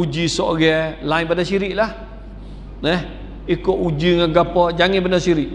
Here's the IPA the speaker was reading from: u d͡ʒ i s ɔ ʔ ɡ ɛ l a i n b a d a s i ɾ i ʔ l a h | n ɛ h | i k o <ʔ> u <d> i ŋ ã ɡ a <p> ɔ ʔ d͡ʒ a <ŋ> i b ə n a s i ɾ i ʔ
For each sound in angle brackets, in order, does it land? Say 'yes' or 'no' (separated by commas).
yes, no, yes, yes